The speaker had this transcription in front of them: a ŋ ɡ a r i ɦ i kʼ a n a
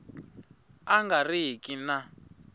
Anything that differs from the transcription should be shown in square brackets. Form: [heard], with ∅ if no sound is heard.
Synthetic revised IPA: a ŋ ɡ a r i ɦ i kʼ [i] n a